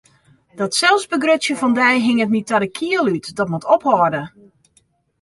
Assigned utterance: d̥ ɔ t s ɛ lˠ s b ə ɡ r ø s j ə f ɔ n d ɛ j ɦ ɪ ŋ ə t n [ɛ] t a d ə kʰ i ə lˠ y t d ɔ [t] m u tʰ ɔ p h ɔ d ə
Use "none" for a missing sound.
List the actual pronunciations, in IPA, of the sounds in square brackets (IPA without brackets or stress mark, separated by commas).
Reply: i, t